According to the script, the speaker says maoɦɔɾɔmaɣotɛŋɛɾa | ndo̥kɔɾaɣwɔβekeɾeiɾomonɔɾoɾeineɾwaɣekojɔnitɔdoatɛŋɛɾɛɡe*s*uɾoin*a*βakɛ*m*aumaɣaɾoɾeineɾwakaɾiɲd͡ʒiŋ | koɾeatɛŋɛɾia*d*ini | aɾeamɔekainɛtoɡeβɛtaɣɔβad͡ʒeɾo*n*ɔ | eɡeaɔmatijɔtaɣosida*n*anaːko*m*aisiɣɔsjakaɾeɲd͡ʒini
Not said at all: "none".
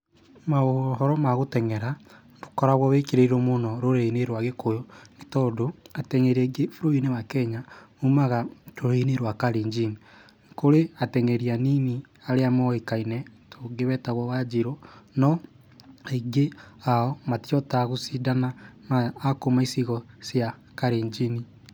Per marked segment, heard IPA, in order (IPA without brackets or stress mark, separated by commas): f, e, ɲ, n, n, n, m